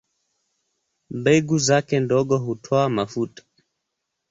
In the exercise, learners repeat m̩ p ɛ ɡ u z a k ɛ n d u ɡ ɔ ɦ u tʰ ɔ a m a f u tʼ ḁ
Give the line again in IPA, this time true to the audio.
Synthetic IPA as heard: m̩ b ɛ ɡ u z a k ɛ n d ɔ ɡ ɔ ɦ u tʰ ɔ a m a f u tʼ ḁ